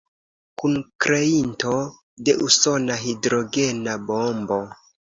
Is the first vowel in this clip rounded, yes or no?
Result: yes